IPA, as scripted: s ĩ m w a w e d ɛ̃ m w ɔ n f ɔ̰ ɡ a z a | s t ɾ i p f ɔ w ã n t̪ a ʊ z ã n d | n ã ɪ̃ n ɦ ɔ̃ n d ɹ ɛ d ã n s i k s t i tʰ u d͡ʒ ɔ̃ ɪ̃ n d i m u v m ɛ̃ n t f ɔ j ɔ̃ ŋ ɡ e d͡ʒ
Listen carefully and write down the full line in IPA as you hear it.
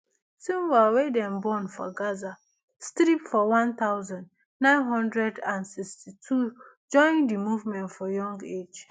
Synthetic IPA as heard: s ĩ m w a w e d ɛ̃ m b ɔ n f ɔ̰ ɡ a z a | s t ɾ i p f ɔ w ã n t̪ a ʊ z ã n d | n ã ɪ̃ n ɦ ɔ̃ n d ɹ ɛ d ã n s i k s t i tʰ u d͡ʒ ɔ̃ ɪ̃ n d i m u v m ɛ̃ n t f ɔ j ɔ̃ ŋ ɡ e d͡ʒ